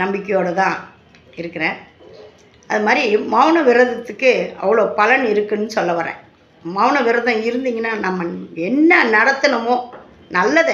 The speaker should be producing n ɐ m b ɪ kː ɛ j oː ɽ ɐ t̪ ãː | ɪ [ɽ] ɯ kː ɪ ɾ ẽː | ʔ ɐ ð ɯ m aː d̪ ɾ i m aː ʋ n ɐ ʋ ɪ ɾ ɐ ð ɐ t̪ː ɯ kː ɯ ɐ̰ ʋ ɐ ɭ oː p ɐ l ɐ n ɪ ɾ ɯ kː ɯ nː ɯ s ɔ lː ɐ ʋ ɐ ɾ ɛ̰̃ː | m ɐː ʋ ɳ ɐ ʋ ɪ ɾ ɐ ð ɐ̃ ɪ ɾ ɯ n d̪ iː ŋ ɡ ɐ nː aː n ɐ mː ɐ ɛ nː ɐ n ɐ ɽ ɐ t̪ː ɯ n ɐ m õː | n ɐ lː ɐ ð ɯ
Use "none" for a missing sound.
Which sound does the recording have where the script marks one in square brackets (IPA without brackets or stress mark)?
ɾ